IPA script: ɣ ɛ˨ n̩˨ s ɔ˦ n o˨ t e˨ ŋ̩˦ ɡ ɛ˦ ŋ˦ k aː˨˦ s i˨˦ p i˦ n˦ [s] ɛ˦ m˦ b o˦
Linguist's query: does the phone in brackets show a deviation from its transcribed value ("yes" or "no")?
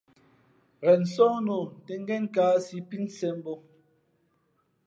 no